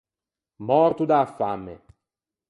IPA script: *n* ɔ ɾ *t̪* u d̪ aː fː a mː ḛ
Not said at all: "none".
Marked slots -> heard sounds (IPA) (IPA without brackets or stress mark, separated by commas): m, t̪